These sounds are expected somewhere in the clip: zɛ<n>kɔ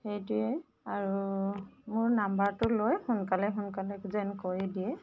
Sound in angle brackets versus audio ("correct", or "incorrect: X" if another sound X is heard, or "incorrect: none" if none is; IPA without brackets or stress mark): correct